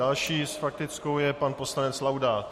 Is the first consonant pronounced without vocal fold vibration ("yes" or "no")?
no